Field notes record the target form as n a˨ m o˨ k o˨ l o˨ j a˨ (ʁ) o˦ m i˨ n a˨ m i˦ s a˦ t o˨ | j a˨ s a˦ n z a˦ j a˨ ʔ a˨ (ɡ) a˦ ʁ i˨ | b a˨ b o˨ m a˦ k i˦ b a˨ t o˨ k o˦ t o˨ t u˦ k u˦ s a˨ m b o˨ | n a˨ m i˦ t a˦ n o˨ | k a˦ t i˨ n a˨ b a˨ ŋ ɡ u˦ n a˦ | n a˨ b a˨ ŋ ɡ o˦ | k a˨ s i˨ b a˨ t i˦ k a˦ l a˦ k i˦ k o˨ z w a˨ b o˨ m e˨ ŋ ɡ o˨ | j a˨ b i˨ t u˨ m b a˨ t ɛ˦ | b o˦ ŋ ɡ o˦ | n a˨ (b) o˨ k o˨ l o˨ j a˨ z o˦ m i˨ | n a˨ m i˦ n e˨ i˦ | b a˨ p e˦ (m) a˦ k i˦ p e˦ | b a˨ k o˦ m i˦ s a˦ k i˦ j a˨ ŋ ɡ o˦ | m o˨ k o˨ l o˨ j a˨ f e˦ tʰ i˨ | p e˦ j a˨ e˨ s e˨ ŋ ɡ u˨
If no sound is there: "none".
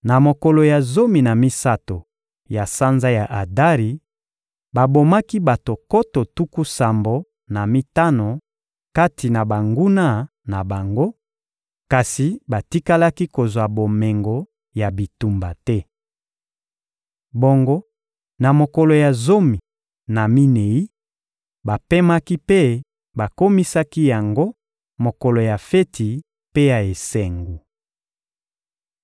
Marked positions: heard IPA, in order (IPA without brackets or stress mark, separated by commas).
z, d, m, m